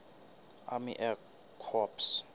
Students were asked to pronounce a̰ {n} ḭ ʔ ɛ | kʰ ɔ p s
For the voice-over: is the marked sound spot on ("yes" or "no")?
no